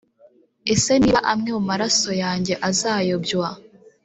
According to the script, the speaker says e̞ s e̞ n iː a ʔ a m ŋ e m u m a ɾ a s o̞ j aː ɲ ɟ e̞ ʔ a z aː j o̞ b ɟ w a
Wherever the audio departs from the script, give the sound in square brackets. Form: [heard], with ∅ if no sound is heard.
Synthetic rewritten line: e̞ s e̞ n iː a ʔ a m ŋ e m u m a ɾ a s o̞ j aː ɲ ɟ e̞ ʔ a z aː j o̞ b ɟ w a